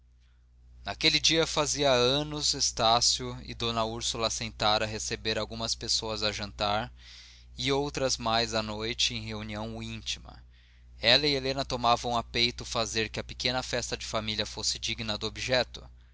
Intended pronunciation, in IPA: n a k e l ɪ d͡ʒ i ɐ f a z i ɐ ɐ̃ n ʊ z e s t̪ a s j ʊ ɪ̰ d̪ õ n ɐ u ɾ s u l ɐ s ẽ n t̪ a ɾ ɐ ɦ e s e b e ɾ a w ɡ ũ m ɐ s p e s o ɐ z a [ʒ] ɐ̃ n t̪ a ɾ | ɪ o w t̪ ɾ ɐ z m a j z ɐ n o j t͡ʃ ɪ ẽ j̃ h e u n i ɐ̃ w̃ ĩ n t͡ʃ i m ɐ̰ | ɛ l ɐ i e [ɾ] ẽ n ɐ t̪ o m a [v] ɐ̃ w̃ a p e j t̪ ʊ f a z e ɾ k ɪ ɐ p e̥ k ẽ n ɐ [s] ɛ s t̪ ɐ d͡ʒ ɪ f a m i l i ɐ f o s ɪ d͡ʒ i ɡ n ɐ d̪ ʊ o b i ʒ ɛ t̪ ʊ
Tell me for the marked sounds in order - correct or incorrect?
correct, incorrect, correct, incorrect

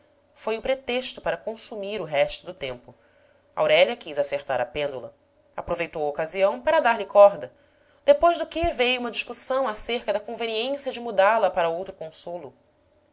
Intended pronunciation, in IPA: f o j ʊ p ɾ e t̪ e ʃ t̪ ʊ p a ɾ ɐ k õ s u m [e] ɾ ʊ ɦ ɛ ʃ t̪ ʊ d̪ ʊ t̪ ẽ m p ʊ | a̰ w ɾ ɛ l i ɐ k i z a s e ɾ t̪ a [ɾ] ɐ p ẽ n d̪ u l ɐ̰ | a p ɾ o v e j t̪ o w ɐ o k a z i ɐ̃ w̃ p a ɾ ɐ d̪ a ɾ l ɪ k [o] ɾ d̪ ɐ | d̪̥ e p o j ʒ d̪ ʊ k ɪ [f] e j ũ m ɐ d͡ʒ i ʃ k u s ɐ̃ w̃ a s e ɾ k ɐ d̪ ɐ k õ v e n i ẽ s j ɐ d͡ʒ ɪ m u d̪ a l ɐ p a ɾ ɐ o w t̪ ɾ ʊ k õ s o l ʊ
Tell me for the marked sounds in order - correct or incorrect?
incorrect, correct, incorrect, incorrect

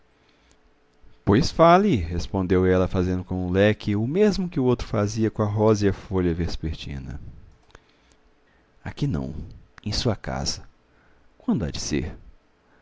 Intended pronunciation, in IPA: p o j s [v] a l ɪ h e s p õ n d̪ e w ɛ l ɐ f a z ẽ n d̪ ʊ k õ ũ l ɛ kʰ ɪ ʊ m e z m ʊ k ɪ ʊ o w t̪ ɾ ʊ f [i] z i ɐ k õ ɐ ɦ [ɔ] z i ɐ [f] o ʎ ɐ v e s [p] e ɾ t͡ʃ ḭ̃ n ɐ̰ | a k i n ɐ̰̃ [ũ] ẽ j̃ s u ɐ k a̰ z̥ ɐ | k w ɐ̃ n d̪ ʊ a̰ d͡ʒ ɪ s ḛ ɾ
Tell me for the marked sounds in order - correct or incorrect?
incorrect, incorrect, correct, correct, correct, incorrect

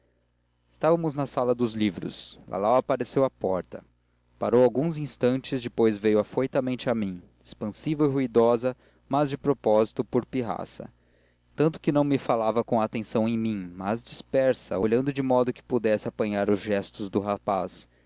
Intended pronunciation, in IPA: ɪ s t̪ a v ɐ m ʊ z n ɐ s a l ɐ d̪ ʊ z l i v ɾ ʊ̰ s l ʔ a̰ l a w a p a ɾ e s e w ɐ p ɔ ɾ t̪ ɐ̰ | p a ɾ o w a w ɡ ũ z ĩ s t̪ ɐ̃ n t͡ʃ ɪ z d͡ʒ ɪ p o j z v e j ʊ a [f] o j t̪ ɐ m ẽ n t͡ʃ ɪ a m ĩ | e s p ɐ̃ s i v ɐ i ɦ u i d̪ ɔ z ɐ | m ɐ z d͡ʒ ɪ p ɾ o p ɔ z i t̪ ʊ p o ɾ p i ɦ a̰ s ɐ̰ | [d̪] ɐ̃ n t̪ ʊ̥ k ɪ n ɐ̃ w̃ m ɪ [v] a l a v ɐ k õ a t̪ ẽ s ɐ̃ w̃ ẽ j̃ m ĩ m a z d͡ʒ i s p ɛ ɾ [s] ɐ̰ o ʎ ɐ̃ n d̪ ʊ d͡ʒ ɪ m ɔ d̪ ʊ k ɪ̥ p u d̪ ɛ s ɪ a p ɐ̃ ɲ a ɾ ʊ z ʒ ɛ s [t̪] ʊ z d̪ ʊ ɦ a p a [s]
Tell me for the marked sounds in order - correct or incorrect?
correct, incorrect, incorrect, correct, correct, correct

